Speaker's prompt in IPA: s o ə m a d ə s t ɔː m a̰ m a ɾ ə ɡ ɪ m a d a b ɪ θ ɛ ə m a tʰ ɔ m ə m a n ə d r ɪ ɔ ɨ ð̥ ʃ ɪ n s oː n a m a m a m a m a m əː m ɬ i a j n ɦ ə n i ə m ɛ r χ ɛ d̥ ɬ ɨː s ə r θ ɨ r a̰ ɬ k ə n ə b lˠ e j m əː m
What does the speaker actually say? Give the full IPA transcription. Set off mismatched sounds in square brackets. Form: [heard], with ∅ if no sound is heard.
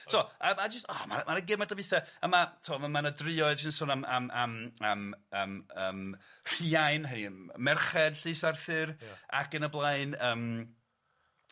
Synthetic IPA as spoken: s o ə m a [d͡ʒ] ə s t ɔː m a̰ m a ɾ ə ɡ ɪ m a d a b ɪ θ ɛ ə m a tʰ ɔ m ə m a n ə d r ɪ ɔ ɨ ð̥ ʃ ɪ n s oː n a m a m a m a m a m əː m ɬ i a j n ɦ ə n i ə m ɛ r χ ɛ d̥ ɬ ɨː s [a] r θ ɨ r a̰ [∅] k ə n ə b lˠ [a] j [n] əː m